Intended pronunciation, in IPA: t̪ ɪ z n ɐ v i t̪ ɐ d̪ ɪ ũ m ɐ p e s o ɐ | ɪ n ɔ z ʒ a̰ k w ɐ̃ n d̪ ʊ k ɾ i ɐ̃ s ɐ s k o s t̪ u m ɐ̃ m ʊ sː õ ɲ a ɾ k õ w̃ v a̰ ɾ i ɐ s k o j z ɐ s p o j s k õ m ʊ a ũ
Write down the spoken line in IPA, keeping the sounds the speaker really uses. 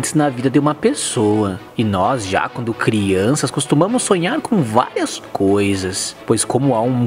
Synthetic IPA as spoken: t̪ ɪ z n ɐ v i d̪ ɐ d̪ ɪ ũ m ɐ p e s o ɐ | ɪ n ɔ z ʒ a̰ k w ɐ̃ n d̪ ʊ k ɾ i ɐ̃ s ɐ s k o s t̪ u m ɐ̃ m ʊ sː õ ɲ a ɾ k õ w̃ v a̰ ɾ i ɐ s k o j z ɐ s p o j s k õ m ʊ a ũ

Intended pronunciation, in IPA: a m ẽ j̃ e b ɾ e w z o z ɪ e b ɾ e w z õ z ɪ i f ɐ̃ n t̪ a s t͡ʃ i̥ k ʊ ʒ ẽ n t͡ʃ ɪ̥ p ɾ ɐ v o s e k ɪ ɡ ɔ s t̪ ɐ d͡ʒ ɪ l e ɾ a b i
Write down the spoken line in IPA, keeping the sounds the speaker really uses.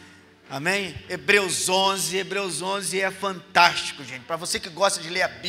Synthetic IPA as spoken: a m ẽ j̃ e b ɾ e w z õ z ɪ e b ɾ e w z õ z ɪ ɛ f ɐ̃ n t̪ a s t͡ʃ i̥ k ʊ ʒ ẽ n t͡ʃ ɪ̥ p ɾ ɐ v o s e k ɪ ɡ ɔ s t̪ ɐ d͡ʒ ɪ l e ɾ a b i

